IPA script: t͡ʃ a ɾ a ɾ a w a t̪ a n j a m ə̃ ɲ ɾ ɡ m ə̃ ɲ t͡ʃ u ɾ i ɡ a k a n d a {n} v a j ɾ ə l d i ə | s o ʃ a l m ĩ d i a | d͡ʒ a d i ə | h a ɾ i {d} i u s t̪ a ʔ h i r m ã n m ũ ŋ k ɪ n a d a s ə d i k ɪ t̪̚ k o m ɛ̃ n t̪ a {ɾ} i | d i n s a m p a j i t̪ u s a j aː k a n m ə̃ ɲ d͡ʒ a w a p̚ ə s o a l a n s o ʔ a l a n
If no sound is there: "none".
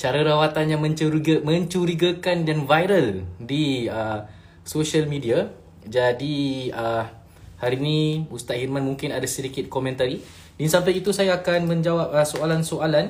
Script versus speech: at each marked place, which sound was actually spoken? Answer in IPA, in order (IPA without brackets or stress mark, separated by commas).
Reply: n, n, ɾ